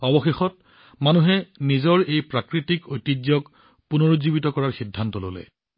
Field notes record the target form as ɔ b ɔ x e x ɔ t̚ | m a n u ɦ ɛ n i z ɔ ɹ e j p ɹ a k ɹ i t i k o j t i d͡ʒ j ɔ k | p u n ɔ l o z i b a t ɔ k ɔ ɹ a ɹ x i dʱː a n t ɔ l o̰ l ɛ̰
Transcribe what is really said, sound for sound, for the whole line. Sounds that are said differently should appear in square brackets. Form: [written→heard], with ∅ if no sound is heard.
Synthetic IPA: ɔ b ɔ x e x ɔ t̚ | m a n u ɦ ɛ n i z ɔ ɹ e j p ɹ a k ɹ i t i k o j t i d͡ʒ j ɔ k | p u n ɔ [l→ɹ] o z i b [a→i] t ɔ k ɔ ɹ a ɹ x i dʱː a n t ɔ l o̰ l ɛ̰

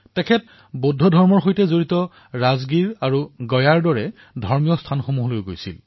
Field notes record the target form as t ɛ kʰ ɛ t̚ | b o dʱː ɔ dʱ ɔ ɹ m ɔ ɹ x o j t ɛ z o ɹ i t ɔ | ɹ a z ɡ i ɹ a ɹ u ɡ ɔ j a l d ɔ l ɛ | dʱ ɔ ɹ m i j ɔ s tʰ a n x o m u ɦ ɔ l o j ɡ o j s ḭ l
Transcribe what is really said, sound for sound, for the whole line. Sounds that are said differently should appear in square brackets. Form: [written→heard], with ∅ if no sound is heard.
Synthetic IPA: t ɛ kʰ ɛ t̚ | b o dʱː ɔ dʱ ɔ ɹ m ɔ ɹ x o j t ɛ z o ɹ i t ɔ | ɹ a z ɡ i ɹ a ɹ u ɡ ɔ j a [l→ɹ] d ɔ [l→ɹ] ɛ | dʱ ɔ ɹ m i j ɔ s tʰ a n x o m u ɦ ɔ l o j ɡ o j s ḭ l

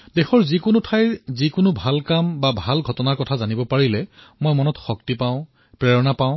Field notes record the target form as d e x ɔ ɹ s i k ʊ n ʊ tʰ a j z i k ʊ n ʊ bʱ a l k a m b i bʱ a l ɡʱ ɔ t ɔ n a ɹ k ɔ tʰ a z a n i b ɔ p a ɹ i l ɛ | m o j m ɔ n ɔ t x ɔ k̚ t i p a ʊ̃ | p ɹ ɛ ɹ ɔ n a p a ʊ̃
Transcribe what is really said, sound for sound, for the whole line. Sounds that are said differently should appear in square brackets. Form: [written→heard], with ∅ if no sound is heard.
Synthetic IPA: d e x ɔ ɹ [s→z] i k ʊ n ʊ tʰ a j z i k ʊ n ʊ bʱ a l k a m b [i→a] bʱ a l ɡʱ ɔ t ɔ n a ɹ k ɔ tʰ a z a n i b ɔ p a ɹ i l ɛ | m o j m ɔ n ɔ t x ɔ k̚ t i p a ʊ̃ | p ɹ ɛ ɹ ɔ n a p a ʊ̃

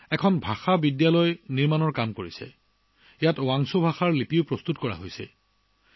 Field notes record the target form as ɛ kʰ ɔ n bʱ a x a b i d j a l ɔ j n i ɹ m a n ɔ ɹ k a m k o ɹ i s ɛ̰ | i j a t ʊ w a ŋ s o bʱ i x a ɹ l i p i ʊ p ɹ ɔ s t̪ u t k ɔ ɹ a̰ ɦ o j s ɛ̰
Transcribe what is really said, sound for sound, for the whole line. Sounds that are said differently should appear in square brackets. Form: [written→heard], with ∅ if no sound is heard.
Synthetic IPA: ɛ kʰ ɔ n bʱ a x a b i d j a l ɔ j n i ɹ m a n ɔ ɹ k a m k o ɹ i s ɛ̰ | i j a t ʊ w a ŋ s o bʱ [i→a] x a ɹ l i p i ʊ p ɹ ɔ s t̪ u t k ɔ ɹ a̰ ɦ o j s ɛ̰

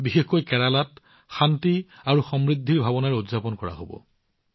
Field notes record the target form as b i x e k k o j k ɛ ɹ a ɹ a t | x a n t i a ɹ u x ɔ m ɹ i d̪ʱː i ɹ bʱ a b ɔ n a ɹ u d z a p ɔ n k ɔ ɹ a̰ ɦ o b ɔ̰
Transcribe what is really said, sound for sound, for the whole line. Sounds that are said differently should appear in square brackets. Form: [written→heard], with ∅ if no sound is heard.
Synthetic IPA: b i x e [k→x] k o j k ɛ ɹ a [ɹ→l] a t | x a n t i a ɹ u x ɔ m ɹ i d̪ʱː i ɹ bʱ a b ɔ n a ɹ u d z a p ɔ n k ɔ ɹ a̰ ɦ o b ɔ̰

